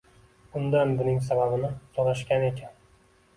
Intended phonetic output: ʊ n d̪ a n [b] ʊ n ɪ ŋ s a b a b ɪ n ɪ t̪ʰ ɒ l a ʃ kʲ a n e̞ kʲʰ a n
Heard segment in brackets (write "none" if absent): b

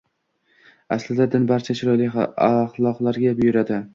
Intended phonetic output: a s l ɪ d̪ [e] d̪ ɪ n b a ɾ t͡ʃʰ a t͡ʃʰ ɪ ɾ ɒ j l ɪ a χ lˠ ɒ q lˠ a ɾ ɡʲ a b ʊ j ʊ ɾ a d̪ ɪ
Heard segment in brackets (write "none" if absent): a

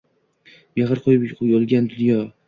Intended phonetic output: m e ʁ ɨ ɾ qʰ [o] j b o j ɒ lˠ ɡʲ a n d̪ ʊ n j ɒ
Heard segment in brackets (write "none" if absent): o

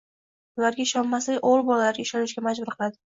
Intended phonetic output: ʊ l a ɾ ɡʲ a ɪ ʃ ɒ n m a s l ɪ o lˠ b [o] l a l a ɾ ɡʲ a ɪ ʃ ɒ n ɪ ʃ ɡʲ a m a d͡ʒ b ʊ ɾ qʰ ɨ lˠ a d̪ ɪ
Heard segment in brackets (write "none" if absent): ɒ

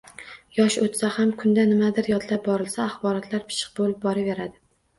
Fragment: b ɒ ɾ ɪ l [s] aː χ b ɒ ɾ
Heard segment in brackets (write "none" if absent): s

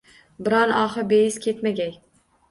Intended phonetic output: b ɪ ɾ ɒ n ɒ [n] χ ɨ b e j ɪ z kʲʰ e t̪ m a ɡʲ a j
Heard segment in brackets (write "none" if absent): none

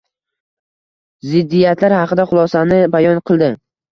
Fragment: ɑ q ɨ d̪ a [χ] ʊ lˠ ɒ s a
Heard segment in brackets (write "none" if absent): χ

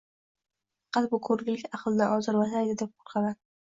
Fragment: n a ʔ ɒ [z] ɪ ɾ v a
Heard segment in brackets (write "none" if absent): z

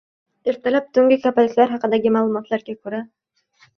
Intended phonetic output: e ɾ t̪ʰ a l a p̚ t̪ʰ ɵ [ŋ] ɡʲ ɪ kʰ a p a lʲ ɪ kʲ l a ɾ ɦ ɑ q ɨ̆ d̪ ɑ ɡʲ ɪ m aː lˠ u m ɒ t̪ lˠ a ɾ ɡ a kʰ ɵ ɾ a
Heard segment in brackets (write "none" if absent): ŋ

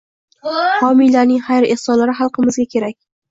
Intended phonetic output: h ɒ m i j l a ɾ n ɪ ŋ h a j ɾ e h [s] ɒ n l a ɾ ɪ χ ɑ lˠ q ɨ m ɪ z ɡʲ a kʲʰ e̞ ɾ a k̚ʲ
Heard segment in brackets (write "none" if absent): s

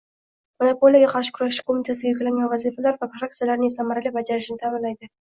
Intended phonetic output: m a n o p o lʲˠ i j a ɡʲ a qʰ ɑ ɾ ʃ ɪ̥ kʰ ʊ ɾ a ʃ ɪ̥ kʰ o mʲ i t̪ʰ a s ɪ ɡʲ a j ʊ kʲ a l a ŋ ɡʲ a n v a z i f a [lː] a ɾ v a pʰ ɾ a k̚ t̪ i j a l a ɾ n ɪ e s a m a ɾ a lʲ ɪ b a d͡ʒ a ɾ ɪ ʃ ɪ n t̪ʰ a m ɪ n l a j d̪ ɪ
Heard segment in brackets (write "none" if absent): l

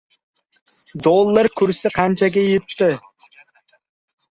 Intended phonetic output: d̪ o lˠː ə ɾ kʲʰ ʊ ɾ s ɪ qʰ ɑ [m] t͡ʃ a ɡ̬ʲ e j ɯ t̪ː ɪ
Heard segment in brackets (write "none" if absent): n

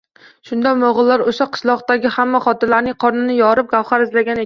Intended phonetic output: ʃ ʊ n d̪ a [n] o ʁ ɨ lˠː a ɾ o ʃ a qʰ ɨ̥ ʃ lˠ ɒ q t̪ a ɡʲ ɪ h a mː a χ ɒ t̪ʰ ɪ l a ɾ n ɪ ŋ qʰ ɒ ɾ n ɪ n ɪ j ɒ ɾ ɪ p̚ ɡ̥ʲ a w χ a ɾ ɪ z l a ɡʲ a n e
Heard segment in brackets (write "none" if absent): m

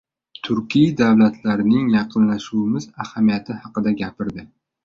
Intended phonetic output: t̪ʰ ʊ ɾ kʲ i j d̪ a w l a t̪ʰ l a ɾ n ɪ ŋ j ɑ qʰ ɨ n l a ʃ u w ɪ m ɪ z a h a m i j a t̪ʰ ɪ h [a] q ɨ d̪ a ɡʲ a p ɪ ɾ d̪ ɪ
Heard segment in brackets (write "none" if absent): ɑ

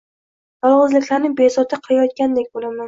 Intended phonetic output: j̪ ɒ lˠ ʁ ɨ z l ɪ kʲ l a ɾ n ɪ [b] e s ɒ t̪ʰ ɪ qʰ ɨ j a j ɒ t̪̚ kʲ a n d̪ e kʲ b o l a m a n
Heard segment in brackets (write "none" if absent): b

